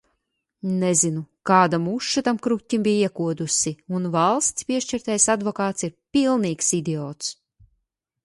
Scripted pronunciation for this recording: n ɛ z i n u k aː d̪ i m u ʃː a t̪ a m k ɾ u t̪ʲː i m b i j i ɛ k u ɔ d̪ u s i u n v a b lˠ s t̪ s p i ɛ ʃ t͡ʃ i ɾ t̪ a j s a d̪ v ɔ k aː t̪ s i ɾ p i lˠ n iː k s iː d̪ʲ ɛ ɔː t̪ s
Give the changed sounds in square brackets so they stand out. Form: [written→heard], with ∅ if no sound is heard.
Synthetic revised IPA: n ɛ z i n u k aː d̪ [i→a] m u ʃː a t̪ a m k ɾ u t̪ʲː i m b i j i ɛ k u ɔ d̪ u s i u n v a [b→∅] lˠ s t̪ s p i ɛ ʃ t͡ʃ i ɾ t̪ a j s a d̪ v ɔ k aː t̪ s i ɾ p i lˠ n iː k s [iː→i] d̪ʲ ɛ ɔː t̪ s